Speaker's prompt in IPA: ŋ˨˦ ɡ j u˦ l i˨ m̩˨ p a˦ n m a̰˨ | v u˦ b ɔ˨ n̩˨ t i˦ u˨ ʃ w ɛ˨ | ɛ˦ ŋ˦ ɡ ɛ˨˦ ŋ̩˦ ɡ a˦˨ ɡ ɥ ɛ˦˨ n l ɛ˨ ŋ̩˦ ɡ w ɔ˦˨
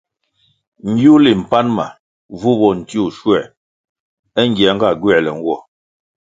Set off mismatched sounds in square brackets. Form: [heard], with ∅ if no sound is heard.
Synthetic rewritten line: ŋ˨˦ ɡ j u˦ l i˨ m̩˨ p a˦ n m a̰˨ | v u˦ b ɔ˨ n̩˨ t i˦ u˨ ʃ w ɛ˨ | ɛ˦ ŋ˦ ɡ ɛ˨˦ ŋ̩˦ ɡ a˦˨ ɡ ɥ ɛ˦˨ [∅] l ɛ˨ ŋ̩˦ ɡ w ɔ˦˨